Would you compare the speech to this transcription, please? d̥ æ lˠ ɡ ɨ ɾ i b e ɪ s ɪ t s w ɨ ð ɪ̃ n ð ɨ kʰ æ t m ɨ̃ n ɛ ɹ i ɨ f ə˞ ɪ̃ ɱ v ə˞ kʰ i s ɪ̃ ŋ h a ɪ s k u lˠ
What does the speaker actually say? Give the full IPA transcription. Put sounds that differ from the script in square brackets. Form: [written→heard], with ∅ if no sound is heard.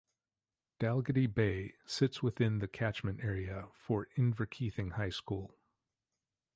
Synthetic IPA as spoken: d̥ æ lˠ ɡ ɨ ɾ i b e ɪ s ɪ t s w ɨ [ð→θ] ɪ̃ n ð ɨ kʰ æ [t→t͡ʃ] m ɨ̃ n ɛ ɹ i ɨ f ə˞ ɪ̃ ɱ v ə˞ kʰ i [s→θ] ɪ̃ ŋ h a ɪ s k u lˠ